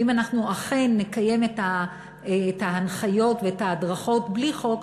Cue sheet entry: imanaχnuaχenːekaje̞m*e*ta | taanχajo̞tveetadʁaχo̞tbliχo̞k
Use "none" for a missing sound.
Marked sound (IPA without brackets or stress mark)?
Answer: e